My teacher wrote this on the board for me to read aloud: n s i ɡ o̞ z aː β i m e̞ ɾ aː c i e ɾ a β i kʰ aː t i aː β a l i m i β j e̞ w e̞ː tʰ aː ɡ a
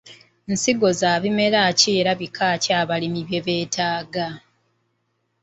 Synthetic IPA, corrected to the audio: n s i ɡ o̞ z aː β i m e̞ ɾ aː c i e ɾ a β i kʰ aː c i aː β a l i m i β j e̞ β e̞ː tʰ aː ɡ a